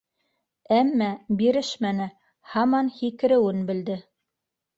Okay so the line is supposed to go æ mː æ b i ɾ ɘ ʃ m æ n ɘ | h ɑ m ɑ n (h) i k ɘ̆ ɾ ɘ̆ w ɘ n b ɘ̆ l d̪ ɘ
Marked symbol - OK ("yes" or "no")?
yes